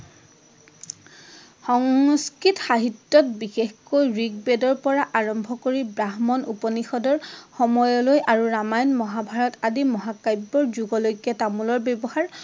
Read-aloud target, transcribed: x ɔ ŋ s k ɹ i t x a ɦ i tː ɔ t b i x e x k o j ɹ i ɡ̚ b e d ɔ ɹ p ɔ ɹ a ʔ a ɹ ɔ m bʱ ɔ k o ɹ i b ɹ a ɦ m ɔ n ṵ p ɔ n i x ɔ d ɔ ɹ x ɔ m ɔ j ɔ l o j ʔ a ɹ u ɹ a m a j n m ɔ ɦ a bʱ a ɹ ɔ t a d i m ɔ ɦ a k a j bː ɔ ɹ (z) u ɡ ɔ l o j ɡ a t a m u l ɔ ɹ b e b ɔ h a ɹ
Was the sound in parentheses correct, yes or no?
yes